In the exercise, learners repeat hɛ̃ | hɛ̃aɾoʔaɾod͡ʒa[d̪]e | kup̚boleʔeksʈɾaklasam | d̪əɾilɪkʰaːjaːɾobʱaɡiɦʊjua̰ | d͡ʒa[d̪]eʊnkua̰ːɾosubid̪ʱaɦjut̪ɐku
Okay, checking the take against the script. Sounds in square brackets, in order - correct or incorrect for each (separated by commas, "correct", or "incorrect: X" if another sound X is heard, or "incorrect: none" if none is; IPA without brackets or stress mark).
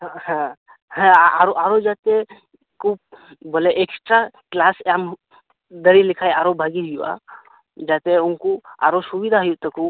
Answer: incorrect: t̪, incorrect: t̪